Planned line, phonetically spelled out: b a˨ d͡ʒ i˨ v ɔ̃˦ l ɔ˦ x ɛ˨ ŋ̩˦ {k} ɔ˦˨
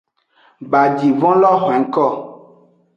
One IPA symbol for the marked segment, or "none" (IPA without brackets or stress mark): k